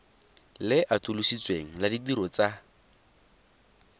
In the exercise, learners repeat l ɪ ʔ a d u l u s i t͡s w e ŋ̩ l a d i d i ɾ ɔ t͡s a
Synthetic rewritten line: l ɪ ʔ a t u l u s i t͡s w e ŋ̩ l a d i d i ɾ ɔ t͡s a